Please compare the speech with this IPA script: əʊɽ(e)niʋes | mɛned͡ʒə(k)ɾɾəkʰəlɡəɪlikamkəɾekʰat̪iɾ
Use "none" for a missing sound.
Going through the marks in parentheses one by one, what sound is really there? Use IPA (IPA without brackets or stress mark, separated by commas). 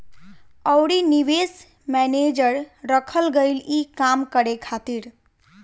i, none